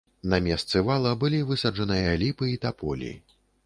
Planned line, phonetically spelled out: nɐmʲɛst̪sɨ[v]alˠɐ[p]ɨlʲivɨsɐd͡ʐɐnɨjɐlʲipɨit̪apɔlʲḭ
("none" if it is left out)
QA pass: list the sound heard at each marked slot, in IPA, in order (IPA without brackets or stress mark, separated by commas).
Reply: v, b